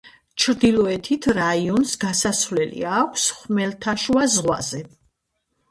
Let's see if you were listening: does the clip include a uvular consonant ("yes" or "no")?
yes